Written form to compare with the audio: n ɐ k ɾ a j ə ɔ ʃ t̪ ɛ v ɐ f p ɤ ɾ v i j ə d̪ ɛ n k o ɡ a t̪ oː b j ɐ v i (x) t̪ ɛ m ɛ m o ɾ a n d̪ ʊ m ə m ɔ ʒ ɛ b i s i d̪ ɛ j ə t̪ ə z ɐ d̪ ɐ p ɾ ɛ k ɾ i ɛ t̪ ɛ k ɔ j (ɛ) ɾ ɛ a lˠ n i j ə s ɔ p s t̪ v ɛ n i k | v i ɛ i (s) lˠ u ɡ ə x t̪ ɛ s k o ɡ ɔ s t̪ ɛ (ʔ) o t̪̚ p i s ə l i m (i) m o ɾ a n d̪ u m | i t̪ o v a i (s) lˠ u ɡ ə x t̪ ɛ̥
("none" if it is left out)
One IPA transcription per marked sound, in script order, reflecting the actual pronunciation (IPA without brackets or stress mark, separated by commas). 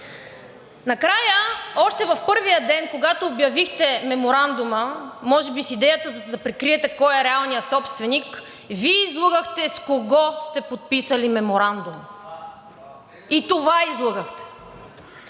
x, ɛ, z, p, ɛ, z